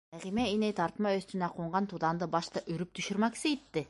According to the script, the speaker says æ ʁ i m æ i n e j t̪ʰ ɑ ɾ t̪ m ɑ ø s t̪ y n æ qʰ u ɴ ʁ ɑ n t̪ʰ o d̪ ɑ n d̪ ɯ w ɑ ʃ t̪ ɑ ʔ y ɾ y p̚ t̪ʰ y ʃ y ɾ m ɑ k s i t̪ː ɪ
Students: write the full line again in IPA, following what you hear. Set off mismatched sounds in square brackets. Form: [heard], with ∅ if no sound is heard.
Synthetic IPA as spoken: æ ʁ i m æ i n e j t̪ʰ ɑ ɾ t̪ m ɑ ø s t̪ y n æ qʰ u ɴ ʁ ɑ n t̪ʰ [u] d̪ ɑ n d̪ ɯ [b] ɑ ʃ t̪ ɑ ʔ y ɾ y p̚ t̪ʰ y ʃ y ɾ m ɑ k s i t̪ː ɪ